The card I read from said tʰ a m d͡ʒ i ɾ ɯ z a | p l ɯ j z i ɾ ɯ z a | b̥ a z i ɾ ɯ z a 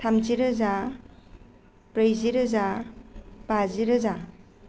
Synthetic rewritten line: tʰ a m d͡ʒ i ɾ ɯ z a | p ɾ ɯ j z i ɾ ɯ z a | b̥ a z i ɾ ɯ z a